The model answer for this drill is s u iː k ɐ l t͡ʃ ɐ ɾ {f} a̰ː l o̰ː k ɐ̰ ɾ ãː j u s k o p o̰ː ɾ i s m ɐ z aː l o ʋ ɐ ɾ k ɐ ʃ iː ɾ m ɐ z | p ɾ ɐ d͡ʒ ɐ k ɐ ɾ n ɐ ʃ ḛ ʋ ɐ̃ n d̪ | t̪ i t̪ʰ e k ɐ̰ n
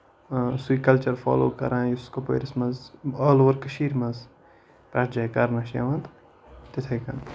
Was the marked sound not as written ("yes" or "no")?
no